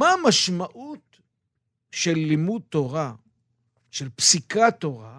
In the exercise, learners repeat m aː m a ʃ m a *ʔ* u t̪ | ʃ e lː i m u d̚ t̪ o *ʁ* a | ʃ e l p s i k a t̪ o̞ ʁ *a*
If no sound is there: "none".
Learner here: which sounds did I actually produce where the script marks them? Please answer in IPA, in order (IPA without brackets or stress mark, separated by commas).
ʔ, ʁ, a